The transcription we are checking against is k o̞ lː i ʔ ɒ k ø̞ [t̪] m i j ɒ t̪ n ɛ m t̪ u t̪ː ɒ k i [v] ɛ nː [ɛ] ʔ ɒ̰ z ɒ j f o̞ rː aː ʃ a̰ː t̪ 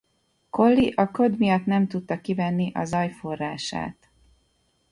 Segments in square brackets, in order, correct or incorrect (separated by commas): incorrect, correct, incorrect